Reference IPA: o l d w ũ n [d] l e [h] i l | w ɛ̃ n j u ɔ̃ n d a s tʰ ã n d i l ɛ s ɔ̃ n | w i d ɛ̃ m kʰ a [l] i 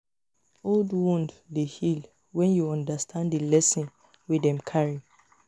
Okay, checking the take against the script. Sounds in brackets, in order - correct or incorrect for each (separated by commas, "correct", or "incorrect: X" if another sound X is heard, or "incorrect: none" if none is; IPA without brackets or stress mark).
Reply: correct, correct, incorrect: ɹ